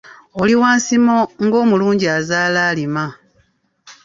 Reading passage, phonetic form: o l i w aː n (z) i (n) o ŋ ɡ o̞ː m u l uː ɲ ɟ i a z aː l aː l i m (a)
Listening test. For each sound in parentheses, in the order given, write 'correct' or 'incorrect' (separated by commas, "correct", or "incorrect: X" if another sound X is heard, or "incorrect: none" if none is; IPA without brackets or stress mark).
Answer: incorrect: s, incorrect: m, correct